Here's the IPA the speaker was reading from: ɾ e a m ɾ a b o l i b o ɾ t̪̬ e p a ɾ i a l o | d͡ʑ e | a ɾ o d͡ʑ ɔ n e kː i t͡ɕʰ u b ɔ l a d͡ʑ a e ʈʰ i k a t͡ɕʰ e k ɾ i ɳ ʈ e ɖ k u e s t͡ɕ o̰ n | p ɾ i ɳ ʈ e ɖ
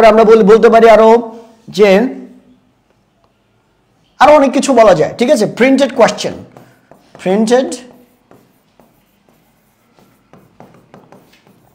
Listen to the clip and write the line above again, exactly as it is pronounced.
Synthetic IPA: ɾ e a m ɾ a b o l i b o l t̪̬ e p a ɾ i a ɾ o | d͡ʑ e | a ɾ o ɔ n e kː i t͡ɕʰ u b ɔ l a d͡ʑ a e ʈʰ i k a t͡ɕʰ e p ɾ i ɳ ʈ e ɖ k w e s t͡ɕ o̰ n | p ɾ i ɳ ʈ e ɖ